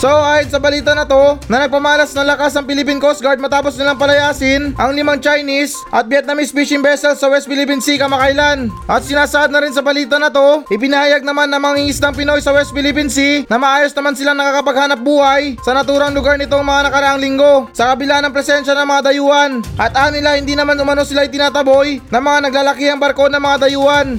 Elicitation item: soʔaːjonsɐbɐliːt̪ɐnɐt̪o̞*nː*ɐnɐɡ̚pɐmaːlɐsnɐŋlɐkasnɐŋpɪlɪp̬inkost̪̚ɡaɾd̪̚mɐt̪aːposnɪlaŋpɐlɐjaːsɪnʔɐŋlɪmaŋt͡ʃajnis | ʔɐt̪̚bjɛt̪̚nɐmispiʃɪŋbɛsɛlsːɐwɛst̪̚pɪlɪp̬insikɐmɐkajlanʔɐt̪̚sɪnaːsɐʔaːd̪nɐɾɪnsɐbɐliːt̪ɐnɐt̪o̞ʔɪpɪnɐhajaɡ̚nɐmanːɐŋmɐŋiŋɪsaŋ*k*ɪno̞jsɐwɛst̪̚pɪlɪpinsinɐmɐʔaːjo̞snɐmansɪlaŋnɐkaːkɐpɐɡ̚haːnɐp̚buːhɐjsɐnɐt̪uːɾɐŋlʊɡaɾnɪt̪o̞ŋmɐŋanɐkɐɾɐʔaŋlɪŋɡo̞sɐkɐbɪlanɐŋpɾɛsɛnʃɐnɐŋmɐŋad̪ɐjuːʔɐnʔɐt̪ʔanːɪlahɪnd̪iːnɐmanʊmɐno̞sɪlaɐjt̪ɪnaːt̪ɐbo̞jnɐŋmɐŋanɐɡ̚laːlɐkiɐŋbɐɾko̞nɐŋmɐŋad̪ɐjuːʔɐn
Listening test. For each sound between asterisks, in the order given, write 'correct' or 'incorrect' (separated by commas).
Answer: incorrect, incorrect